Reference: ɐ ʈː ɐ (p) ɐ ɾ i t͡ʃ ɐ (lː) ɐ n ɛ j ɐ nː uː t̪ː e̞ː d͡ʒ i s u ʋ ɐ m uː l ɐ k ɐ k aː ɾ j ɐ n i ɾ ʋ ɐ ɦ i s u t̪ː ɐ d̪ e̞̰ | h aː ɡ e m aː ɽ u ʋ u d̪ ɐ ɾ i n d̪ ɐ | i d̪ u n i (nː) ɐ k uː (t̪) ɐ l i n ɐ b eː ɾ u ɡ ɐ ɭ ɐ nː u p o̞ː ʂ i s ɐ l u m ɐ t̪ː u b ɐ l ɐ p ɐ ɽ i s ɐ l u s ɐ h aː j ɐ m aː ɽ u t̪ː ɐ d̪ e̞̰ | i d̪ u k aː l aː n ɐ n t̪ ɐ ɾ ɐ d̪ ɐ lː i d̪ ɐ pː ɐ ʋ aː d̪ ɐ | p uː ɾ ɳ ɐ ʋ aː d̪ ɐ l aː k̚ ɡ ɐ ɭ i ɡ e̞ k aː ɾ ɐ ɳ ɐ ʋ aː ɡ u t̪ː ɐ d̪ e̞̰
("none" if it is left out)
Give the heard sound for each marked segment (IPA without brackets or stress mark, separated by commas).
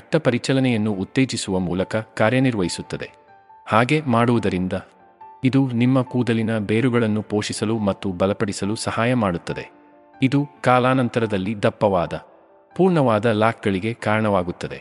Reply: p, l, mː, d̪